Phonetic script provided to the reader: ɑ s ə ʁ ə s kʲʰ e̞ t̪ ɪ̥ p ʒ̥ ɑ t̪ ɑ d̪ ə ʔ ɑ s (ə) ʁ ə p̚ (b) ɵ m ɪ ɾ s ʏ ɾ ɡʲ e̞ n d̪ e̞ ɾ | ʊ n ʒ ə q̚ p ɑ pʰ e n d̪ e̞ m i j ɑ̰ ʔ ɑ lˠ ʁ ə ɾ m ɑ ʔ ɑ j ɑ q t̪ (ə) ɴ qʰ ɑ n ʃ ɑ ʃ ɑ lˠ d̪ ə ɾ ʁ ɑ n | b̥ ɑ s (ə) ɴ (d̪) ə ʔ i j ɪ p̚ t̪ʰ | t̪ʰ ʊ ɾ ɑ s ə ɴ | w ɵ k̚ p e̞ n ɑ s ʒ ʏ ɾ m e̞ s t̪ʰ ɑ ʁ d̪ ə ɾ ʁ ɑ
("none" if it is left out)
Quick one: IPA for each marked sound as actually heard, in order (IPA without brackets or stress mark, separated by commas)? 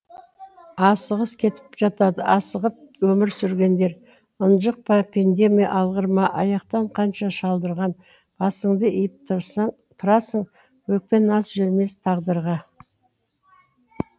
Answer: ə, w, ɑ, ə, d̪